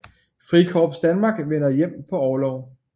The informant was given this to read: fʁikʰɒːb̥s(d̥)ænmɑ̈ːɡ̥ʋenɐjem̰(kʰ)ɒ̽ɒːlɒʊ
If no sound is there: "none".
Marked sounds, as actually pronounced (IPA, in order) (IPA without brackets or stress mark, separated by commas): d̥, pʰ